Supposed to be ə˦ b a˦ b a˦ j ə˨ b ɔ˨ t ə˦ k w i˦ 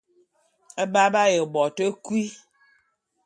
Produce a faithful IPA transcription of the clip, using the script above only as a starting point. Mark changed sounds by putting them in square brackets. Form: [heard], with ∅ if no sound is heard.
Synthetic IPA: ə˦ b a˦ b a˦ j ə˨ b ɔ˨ t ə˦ k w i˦